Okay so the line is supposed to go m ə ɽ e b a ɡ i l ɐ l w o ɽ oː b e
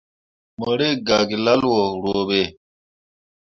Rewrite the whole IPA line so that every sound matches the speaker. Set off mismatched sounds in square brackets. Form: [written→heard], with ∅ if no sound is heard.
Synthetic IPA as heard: m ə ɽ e [b→ɡ] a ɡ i l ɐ l w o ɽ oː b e

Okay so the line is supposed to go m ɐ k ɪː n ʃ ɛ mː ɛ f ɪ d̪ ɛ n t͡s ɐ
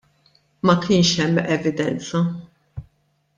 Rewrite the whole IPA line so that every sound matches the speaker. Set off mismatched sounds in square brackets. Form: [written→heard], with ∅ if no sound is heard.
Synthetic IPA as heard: m ɐ k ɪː n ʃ ɛ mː ɛ [f→v] ɪ d̪ ɛ n t͡s ɐ

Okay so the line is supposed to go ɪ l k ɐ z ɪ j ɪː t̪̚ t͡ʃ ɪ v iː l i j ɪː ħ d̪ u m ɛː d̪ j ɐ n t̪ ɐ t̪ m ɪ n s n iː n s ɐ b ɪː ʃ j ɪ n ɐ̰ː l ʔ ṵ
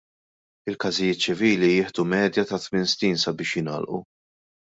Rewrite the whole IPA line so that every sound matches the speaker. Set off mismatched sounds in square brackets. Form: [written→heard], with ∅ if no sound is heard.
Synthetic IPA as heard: ɪ l k ɐ z ɪ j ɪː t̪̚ t͡ʃ ɪ v iː l i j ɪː ħ d̪ u m ɛː d̪ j ɐ [n→∅] t̪ ɐ t̪ m ɪ n s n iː n s ɐ b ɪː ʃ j ɪ n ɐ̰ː l ʔ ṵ

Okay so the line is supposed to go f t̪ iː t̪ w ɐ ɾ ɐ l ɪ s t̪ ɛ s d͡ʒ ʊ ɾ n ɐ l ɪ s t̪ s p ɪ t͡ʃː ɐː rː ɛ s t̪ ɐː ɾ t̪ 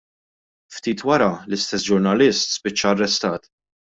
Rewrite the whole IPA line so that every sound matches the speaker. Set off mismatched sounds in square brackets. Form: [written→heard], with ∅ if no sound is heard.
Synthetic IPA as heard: f t̪ iː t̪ w ɐ ɾ ɐ l ɪ s t̪ ɛ s d͡ʒ ʊ ɾ n ɐ l ɪ s t̪ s p ɪ t͡ʃː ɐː rː ɛ s t̪ ɐː [ɾ→∅] t̪

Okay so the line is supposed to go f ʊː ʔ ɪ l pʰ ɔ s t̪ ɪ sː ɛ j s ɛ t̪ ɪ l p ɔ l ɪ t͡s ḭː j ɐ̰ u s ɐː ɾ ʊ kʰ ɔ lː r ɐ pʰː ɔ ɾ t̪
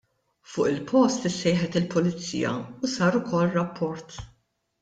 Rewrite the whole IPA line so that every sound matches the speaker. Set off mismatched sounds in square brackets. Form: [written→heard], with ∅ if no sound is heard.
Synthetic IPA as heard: f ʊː ʔ ɪ l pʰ ɔ s t̪ ɪ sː ɛ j [s→ħ] ɛ t̪ ɪ l p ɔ l ɪ t͡s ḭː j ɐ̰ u s ɐː ɾ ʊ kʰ ɔ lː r ɐ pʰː ɔ ɾ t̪

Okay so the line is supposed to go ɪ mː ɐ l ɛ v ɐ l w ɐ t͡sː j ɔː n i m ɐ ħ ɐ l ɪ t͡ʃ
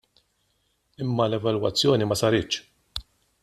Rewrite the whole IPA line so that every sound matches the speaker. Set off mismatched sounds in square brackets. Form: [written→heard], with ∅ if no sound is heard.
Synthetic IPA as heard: ɪ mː ɐ l ɛ v ɐ l w ɐ t͡sː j ɔː n i m ɐ [ħ→s] ɐ [l→ɾ] ɪ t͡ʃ

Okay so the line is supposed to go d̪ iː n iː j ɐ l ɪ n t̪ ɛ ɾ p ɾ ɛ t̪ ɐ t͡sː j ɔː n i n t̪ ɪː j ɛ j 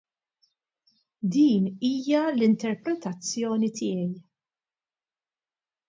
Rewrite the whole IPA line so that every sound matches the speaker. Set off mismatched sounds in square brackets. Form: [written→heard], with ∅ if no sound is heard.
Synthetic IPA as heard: d̪ iː n iː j ɐ l ɪ n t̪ ɛ ɾ p ɾ ɛ t̪ ɐ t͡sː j ɔː n i [n→∅] t̪ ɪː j ɛ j

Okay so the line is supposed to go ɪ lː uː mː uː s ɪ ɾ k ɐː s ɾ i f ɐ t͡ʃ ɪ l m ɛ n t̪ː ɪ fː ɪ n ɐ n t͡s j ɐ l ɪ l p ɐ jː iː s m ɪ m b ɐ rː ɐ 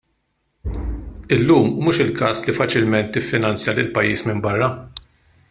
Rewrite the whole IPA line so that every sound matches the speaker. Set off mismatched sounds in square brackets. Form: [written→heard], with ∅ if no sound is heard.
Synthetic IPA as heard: ɪ lː uː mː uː [s→ʃ] ɪ [ɾ→l] k ɐː s [ɾ→l] i f ɐ t͡ʃ ɪ l m ɛ n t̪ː ɪ fː ɪ n ɐ n t͡s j ɐ l ɪ l p ɐ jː iː s m ɪ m b ɐ rː ɐ

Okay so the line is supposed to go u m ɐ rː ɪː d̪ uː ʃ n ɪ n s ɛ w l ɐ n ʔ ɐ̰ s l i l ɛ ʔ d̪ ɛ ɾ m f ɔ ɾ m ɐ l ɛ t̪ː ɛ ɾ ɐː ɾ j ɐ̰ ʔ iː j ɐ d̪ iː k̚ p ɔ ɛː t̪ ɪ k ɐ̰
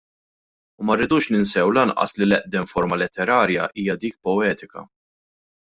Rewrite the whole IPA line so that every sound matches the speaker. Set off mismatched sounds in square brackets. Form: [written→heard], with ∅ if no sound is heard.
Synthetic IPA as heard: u m ɐ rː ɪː d̪ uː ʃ n ɪ n s ɛ w l ɐ n ʔ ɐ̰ s l i l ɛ ʔ d̪ ɛ [ɾ→∅] m f ɔ ɾ m ɐ l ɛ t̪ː ɛ ɾ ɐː ɾ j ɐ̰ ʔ iː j ɐ d̪ iː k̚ p ɔ ɛː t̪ ɪ k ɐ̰

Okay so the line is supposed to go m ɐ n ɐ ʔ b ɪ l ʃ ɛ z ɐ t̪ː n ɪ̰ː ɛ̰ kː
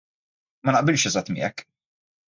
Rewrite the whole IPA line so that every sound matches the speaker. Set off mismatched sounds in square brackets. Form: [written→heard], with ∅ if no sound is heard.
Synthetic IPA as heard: m ɐ n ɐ ʔ b ɪ l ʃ ɛ z ɐ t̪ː [n→m] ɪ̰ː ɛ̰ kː

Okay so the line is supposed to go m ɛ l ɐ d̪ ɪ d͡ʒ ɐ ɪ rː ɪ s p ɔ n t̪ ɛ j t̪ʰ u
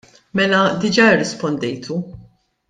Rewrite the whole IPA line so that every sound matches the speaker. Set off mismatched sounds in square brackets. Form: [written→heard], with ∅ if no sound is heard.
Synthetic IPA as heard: m ɛ l ɐ d̪ ɪ d͡ʒ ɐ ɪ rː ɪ s p ɔ n [t̪→d̪] ɛ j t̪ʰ u

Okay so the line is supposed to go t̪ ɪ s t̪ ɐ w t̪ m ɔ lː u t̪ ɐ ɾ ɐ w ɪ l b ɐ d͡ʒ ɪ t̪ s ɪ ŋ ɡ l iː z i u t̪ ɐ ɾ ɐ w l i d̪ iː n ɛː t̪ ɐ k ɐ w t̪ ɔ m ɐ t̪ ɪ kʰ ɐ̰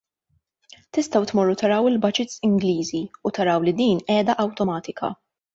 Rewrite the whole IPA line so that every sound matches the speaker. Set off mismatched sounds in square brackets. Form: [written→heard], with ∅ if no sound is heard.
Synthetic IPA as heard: t̪ ɪ s t̪ ɐ w t̪ m ɔ [lː→rː] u t̪ ɐ ɾ ɐ w ɪ l b ɐ d͡ʒ ɪ t̪ s ɪ ŋ ɡ l iː z i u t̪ ɐ ɾ ɐ w l i d̪ iː n ɛː [t̪→d̪] ɐ [k→ʔ] ɐ w t̪ ɔ m [ɐ→ɐː] t̪ ɪ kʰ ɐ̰

